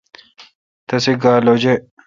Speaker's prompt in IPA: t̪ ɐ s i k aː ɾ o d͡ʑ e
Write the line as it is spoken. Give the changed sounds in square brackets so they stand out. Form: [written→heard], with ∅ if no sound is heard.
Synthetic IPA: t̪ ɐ s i [k→ɡ] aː [ɾ→l] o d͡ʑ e